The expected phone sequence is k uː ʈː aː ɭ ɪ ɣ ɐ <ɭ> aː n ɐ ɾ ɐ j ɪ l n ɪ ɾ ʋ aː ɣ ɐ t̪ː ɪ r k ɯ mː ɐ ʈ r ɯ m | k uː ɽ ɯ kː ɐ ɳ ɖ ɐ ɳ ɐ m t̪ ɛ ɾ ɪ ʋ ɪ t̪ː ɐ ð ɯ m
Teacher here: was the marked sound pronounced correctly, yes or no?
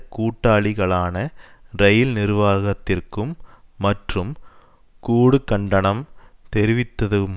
yes